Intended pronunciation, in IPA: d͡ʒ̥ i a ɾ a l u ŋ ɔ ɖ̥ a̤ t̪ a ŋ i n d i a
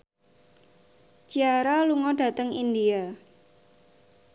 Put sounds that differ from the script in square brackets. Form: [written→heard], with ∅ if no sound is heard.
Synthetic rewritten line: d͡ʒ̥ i a ɾ a l u ŋ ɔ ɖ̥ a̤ t̪ [a→ə] ŋ i n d i a

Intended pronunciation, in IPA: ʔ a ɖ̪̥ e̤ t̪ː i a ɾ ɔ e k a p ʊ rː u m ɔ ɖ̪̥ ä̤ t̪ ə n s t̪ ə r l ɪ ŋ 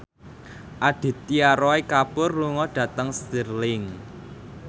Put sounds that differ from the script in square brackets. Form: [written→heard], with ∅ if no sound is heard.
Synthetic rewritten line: ʔ a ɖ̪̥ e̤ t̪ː i a ɾ ɔ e k a p ʊ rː u [m→ŋ] ɔ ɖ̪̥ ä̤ t̪ ə [n→ŋ] s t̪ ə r l ɪ ŋ

